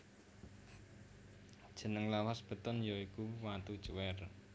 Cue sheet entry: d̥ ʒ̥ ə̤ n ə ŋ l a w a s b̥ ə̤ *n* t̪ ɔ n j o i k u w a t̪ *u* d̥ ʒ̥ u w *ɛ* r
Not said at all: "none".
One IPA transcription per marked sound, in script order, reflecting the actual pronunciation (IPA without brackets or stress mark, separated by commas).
none, u, ɛ